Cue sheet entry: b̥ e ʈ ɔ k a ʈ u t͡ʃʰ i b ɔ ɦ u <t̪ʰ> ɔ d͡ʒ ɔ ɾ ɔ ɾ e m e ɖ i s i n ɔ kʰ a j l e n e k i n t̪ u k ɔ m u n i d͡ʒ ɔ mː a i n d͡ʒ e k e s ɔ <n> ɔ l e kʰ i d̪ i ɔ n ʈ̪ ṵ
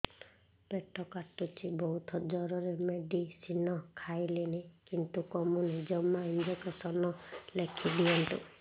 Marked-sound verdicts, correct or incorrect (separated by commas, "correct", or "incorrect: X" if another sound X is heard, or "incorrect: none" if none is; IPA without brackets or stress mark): correct, correct